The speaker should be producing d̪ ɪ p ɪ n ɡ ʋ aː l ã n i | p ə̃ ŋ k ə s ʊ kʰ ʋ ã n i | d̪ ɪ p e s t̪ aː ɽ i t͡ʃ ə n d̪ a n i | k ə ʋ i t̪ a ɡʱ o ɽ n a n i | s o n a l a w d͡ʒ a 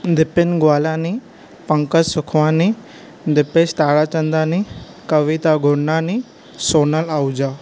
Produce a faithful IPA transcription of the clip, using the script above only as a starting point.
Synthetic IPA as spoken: d̪ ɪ p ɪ n ɡ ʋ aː l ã n i | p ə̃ ŋ k ə s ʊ kʰ ʋ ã n i | d̪ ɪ p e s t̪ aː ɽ a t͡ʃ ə n d̪ a n i | k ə ʋ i t̪ a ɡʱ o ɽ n a n i | s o n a l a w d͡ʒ a